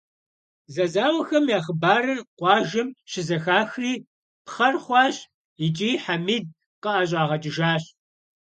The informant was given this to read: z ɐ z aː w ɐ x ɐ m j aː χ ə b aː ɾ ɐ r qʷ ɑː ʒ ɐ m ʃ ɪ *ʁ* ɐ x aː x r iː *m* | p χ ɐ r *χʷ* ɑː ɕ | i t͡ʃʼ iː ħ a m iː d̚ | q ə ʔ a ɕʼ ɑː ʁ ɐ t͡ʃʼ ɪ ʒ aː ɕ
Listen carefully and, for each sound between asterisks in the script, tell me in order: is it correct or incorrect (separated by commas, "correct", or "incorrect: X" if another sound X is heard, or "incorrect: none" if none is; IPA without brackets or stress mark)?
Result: incorrect: z, incorrect: none, correct